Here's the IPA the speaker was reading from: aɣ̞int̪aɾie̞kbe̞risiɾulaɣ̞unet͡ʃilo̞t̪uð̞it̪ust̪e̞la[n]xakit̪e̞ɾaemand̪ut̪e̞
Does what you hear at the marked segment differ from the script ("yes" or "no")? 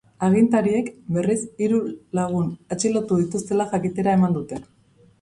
yes